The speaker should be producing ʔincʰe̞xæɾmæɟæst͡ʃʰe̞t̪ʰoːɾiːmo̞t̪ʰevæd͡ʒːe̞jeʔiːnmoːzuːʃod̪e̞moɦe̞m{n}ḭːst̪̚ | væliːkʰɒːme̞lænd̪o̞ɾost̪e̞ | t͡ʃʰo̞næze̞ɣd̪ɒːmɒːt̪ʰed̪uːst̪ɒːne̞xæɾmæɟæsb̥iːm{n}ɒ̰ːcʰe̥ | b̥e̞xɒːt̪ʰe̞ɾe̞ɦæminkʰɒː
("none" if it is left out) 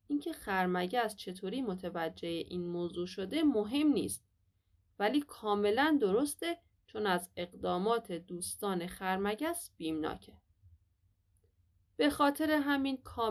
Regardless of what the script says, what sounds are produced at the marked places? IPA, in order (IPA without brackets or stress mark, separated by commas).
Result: n, n